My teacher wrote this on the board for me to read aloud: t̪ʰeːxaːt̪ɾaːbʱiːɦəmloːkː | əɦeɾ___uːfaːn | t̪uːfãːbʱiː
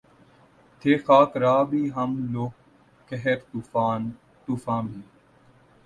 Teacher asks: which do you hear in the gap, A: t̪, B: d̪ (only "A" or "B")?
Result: A